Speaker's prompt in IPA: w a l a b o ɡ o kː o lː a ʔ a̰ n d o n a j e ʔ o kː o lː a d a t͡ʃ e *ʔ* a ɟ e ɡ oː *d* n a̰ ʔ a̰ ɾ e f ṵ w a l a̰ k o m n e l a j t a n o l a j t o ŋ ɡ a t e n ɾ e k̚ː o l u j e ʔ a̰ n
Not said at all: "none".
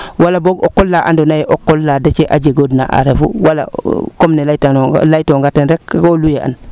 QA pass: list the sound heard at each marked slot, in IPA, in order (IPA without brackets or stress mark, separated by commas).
ʔ, d